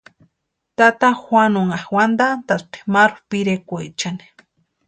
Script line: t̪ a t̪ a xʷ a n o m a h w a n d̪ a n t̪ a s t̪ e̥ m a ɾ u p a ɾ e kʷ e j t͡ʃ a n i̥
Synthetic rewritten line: t̪ a t̪ a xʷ a n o ŋ a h w a n d̪ a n t̪ a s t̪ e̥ m a ɾ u p i ɾ e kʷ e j t͡ʃ a n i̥